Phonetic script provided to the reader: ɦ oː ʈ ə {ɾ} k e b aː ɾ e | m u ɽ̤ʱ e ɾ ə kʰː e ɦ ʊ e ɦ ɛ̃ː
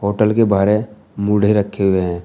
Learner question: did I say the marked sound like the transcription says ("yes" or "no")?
no